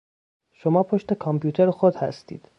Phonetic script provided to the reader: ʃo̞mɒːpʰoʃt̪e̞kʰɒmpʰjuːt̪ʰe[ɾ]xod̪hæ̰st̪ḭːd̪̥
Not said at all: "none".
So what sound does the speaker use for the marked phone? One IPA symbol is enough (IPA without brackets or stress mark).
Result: ɾ